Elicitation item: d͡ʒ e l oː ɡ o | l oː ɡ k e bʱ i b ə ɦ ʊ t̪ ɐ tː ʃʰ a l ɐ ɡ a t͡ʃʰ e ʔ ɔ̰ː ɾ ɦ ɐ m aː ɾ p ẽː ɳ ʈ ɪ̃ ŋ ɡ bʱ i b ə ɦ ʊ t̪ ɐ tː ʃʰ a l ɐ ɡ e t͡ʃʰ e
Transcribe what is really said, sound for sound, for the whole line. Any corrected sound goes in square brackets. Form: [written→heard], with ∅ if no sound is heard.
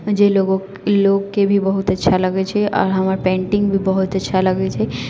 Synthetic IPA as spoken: d͡ʒ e l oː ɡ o | l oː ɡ k e bʱ i b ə ɦ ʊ t̪ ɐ tː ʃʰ a l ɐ ɡ [a→e] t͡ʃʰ e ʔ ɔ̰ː ɾ ɦ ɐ m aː ɾ p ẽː ɳ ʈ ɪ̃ ŋ ɡ bʱ i b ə ɦ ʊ t̪ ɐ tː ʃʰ a l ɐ ɡ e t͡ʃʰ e